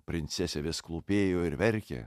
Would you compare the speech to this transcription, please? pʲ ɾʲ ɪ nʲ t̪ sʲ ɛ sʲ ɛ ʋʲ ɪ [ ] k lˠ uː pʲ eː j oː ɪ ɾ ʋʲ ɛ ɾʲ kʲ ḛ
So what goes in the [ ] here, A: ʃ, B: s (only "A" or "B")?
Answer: B